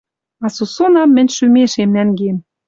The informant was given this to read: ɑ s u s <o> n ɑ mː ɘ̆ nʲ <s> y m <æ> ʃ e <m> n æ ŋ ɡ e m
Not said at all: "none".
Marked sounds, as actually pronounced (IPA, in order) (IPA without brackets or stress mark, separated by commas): o, ʃ, e, m